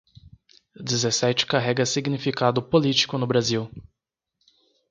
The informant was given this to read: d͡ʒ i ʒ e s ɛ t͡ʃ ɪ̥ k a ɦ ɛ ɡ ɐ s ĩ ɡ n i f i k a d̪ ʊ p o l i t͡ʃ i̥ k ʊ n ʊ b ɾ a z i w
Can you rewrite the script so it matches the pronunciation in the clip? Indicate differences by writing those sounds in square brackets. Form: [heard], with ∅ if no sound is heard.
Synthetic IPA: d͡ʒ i [z] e s ɛ t͡ʃ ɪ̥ k a ɦ ɛ ɡ ɐ s [i] ɡ n i f i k a d̪ ʊ p o l i t͡ʃ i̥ k ʊ n ʊ b ɾ a z i w